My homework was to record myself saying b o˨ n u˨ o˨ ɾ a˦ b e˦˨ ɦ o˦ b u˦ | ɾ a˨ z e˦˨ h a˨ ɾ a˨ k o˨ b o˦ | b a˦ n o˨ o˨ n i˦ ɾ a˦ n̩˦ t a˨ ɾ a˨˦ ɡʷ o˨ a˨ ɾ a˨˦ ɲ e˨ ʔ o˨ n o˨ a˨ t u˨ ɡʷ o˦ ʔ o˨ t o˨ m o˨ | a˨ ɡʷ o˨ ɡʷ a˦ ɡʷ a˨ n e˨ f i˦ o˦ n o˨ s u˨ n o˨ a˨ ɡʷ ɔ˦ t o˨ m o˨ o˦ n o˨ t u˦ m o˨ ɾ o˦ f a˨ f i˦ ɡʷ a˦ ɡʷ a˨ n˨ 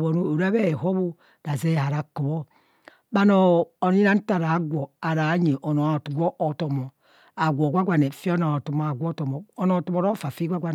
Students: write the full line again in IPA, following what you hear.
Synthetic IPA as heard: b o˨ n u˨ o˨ ɾ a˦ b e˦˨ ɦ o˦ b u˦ | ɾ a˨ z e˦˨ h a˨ ɾ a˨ k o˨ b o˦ | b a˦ n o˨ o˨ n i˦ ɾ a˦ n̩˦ t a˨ ɾ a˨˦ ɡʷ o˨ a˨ ɾ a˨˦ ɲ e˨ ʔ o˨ n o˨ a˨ t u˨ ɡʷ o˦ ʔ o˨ t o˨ m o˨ | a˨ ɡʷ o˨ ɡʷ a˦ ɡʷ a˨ n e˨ f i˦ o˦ n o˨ t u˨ m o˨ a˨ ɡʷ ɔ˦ t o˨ m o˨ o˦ n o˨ t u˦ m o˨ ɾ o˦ f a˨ f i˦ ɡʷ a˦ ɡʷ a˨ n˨

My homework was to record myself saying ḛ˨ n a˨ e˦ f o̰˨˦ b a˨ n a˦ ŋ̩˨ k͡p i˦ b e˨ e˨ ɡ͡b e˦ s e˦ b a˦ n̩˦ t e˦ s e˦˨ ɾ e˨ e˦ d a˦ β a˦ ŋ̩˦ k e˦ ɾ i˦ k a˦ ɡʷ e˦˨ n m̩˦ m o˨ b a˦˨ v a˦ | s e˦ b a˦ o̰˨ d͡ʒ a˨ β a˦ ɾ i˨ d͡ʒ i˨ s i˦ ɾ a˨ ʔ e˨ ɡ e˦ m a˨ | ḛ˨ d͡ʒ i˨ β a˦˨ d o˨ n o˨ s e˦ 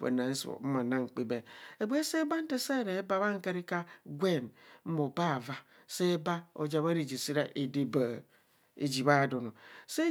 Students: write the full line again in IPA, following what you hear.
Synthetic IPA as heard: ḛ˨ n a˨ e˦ s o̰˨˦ m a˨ n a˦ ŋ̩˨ k͡p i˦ b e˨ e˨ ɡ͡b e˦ s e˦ b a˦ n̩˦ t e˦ s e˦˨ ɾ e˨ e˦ b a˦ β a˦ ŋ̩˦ k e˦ ɾ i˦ k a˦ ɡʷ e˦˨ n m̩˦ m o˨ b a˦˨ v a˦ | s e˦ b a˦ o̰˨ d͡ʒ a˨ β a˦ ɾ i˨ d͡ʒ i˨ s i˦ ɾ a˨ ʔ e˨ d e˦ b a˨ | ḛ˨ d͡ʒ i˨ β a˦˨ d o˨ n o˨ s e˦

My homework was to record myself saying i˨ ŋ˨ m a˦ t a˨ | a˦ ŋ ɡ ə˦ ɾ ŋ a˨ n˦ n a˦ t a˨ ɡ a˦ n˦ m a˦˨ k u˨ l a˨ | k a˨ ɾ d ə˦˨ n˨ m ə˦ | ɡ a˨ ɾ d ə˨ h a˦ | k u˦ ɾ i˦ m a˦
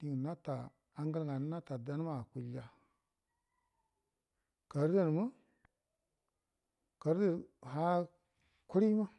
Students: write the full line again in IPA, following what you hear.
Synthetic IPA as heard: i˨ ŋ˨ n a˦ t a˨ | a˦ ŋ ɡ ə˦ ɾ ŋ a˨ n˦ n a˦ t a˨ d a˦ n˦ m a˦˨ k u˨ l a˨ | k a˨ ɾ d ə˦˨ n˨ m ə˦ | k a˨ ɾ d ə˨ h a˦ | k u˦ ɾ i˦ m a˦

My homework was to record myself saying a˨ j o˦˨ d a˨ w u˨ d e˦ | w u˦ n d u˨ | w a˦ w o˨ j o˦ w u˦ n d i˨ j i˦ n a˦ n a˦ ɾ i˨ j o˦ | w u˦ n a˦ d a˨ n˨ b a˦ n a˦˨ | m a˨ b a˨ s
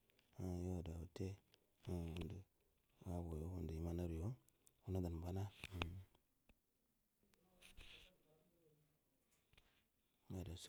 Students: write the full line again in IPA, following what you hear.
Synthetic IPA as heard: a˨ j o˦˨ d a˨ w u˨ t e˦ | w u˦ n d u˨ | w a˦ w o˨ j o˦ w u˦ n d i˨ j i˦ m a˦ n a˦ ɾ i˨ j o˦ | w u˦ n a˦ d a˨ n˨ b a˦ n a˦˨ | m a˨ d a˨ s

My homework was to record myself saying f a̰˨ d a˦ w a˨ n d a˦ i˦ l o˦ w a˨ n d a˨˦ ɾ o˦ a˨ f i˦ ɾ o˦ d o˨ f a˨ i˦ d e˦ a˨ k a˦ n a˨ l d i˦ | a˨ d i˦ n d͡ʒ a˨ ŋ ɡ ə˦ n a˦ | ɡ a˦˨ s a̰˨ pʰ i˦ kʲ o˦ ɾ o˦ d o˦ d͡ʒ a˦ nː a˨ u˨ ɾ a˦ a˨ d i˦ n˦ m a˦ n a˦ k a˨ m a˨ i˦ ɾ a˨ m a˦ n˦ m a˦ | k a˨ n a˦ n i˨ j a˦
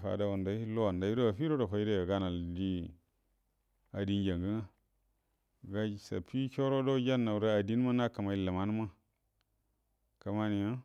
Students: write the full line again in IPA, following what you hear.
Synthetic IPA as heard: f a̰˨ d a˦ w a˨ n d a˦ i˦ l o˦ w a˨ n d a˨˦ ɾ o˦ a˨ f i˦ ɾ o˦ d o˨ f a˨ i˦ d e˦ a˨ ɡ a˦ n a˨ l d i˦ | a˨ d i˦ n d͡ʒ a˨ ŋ ɡ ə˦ n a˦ | ɡ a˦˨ s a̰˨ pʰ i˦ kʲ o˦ ɾ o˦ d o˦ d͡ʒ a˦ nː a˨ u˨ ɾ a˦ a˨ d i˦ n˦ m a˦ n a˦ k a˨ m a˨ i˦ l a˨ m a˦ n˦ m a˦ | k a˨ m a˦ n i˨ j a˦

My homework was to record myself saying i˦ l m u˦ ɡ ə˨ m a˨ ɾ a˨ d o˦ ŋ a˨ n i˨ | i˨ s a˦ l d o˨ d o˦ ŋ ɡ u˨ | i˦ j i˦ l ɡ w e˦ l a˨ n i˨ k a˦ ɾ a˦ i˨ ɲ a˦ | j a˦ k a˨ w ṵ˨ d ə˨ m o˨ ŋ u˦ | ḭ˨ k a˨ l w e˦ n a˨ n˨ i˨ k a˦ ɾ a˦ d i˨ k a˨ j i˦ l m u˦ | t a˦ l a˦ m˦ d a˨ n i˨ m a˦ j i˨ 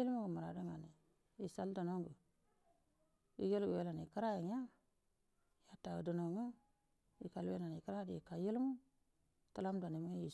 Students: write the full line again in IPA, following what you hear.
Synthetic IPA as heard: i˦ l m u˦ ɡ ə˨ m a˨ ɾ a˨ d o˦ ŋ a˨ n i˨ | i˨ s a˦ l d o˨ n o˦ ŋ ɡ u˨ | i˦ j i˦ l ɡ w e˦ l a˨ n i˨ k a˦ ɾ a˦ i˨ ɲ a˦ | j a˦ t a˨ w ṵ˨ d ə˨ n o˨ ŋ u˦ | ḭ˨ k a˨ l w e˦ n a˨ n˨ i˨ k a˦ ɾ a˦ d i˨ k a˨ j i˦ l m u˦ | t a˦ l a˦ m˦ d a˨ n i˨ m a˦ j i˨

